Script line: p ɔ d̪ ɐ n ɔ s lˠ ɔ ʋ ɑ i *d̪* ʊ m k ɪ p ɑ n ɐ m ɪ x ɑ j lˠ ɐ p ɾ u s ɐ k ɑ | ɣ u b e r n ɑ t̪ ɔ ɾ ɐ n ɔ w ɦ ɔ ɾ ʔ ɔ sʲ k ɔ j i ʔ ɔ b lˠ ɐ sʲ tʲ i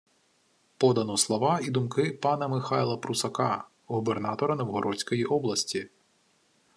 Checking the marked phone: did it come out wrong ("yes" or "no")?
no